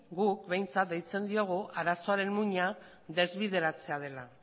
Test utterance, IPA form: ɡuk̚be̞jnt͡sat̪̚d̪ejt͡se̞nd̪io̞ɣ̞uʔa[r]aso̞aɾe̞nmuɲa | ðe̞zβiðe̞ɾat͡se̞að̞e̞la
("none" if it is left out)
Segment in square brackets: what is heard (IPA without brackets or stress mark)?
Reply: ɾ